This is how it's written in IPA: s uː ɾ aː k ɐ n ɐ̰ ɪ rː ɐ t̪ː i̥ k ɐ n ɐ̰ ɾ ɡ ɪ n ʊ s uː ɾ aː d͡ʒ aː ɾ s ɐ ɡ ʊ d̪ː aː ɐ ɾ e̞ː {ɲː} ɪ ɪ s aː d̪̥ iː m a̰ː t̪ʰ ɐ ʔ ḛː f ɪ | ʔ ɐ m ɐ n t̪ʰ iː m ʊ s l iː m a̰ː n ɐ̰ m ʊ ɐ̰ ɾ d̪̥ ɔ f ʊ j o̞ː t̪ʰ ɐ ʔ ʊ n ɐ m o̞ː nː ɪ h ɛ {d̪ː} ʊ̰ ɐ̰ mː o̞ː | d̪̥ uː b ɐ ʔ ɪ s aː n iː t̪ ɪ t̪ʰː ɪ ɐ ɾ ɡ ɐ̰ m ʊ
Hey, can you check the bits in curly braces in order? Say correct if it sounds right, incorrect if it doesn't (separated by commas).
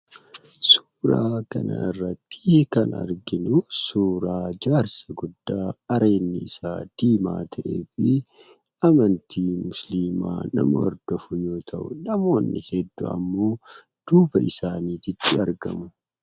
incorrect, correct